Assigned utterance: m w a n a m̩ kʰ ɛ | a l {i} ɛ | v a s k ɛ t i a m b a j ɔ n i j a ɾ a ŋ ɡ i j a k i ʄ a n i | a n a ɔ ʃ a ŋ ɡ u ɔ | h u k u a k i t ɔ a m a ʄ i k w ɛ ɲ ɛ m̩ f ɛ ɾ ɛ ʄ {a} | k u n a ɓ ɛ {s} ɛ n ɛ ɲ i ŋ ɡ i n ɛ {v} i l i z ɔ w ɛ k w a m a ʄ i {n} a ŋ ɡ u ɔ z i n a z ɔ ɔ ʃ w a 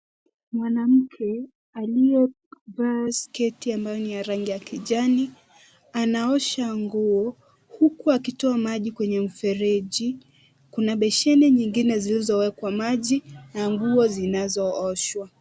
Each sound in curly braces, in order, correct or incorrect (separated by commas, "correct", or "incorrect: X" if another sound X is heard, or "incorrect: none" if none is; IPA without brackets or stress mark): correct, incorrect: i, incorrect: ʃ, incorrect: z, correct